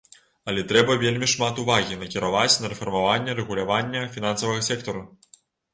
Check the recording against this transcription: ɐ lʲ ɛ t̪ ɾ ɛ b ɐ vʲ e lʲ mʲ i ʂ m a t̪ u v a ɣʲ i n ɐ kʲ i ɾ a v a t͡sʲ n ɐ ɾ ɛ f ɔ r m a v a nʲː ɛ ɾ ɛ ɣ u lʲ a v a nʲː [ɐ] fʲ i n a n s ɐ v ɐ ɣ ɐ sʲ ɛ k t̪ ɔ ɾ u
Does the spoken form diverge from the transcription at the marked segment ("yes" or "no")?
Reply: no